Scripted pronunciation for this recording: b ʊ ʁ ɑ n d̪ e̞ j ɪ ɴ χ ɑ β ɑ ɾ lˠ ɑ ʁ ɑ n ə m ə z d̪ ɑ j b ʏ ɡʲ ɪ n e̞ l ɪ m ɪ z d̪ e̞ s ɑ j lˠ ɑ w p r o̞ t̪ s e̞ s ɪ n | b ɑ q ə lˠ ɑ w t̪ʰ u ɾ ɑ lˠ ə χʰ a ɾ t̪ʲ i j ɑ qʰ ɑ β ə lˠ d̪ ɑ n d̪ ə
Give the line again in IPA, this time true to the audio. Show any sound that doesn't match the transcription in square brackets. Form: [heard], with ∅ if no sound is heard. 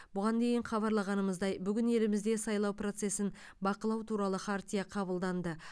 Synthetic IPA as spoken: b ʊ ʁ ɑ n d̪ e̞ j ɪ ɴ χ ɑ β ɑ ɾ lˠ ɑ ʁ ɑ n ə m ə z d̪ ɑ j b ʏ ɡʲ ɪ n e̞ l ɪ m ɪ z d̪ e̞ s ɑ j lˠ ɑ w p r o̞ t̪ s e̞ s ɪ n | b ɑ q ə lˠ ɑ w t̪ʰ u ɾ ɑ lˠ ə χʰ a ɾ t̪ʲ i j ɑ qʰ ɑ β ə lˠ d̪ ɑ n d̪ ə

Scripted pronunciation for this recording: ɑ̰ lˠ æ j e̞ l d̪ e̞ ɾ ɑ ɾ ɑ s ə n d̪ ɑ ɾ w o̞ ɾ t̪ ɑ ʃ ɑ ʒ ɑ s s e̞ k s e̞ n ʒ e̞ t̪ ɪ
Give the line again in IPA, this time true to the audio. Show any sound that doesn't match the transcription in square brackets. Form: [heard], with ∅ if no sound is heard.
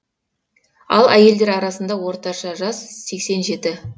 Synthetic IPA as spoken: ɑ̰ lˠ æ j e̞ l d̪ e̞ ɾ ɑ ɾ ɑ s ə n d̪ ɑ [∅] w o̞ ɾ t̪ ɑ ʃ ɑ ʒ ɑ s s e̞ k s e̞ n ʒ e̞ t̪ ɪ

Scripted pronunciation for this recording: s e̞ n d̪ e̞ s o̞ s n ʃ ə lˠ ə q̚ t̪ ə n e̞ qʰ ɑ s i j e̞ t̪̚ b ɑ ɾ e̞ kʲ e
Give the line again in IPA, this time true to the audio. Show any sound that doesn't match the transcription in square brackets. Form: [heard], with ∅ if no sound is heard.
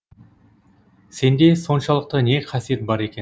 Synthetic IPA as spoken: s e̞ n d̪ e̞ s o̞ [∅] n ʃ [ɑ] lˠ ə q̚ t̪ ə n e̞ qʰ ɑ s i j e̞ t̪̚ b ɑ ɾ e̞ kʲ e

